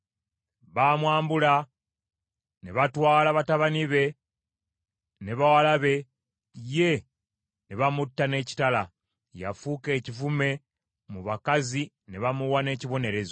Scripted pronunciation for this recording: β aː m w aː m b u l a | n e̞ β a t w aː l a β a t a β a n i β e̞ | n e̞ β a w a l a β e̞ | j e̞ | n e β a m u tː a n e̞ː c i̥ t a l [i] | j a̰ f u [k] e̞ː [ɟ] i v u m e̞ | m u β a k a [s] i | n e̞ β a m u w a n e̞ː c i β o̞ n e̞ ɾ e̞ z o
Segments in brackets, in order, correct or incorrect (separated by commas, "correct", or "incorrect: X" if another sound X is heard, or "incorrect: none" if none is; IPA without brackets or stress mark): incorrect: a, correct, incorrect: c, incorrect: z